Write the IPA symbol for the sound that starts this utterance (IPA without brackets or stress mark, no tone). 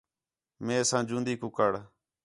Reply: m